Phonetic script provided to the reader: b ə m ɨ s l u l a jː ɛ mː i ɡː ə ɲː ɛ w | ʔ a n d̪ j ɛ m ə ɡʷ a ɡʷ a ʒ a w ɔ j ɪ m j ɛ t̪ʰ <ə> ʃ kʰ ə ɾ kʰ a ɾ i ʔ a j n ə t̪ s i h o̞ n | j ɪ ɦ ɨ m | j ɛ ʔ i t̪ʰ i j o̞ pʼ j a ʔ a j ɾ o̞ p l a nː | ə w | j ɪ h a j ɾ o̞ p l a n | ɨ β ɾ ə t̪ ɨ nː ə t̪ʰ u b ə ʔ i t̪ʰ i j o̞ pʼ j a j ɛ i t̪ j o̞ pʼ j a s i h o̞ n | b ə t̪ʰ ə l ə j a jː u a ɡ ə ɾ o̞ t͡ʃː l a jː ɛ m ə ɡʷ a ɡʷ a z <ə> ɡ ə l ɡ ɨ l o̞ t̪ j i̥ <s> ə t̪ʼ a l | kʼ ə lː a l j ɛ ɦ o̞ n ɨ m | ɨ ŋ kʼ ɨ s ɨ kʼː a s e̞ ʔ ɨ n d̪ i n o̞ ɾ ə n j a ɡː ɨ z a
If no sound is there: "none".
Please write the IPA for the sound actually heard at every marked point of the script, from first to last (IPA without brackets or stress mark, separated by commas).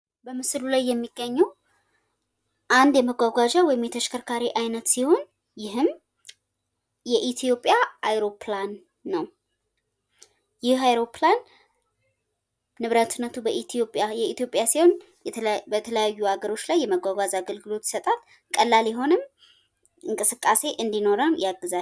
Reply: ə, a, s